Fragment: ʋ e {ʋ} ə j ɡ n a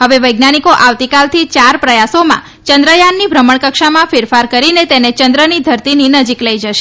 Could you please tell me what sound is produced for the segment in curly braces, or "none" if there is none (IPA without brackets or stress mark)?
ʋ